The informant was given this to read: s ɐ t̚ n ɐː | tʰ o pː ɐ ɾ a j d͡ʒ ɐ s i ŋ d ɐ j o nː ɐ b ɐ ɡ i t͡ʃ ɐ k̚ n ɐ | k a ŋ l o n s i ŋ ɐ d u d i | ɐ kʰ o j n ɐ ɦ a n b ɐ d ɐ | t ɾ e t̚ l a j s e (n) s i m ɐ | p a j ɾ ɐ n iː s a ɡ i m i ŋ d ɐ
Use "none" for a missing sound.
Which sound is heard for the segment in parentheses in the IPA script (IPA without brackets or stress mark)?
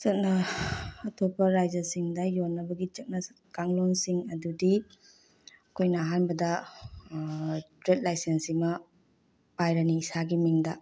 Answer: n